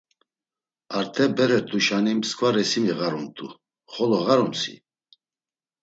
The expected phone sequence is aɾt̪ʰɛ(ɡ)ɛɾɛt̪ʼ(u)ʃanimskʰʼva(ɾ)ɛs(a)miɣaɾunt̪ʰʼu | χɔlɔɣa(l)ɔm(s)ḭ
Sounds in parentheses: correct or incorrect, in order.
incorrect: b, correct, correct, incorrect: i, incorrect: ɾ, correct

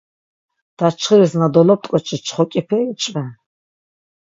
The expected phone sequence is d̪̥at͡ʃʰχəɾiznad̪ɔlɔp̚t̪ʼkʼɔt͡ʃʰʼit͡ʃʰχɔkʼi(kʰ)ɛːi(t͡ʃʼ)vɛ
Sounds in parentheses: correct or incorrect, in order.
incorrect: pʰ, correct

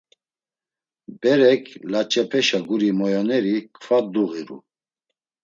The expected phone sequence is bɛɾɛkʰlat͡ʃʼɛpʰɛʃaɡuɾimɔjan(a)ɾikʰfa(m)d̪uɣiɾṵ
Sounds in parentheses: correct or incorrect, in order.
incorrect: ɛ, incorrect: none

